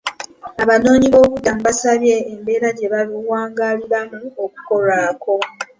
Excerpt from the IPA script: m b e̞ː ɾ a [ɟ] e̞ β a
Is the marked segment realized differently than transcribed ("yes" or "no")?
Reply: no